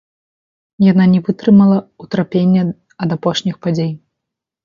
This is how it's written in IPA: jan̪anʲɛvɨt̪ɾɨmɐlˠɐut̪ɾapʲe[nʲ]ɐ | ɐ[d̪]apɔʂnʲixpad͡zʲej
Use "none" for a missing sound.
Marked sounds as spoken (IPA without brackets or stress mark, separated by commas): nʲː, d̪